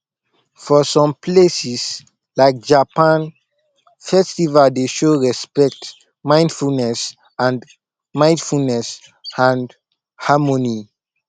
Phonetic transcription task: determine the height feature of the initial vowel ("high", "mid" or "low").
mid